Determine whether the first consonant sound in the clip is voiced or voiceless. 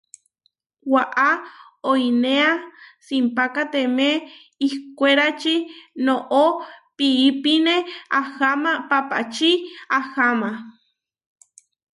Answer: voiced